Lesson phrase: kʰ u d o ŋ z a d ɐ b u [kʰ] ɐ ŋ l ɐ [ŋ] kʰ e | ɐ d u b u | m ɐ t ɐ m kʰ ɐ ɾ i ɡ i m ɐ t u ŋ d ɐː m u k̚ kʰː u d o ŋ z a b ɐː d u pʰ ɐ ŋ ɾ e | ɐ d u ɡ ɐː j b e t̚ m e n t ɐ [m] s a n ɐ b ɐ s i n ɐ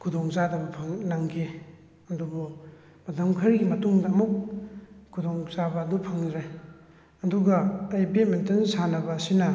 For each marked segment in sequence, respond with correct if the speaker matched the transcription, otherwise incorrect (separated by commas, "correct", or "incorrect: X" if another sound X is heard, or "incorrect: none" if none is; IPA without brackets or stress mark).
incorrect: pʰ, correct, incorrect: n